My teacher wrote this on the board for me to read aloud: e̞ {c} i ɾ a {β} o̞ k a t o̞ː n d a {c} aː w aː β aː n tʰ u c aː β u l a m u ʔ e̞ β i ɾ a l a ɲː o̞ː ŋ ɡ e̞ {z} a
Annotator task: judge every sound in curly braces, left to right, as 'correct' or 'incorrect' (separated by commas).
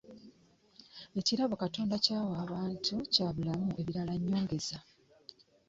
correct, correct, correct, correct